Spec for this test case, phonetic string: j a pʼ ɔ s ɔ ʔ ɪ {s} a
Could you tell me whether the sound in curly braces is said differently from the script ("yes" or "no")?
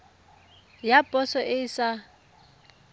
no